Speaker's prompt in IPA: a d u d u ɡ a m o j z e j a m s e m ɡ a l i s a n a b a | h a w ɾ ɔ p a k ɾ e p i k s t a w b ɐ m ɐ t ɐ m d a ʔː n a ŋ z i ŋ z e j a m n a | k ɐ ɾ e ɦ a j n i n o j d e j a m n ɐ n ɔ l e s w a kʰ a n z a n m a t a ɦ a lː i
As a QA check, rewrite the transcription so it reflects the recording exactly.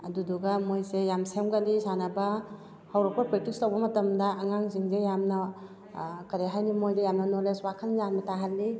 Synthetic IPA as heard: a d u d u ɡ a m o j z e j a m s e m ɡ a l i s a n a b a | h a w ɾ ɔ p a p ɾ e t i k s t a w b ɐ m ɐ t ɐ m d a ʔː ŋ a ŋ z i ŋ z e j a m n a | k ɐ ɾ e ɦ a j n i m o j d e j a m n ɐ n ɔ l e s w a kʰ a n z a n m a t a ɦ a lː i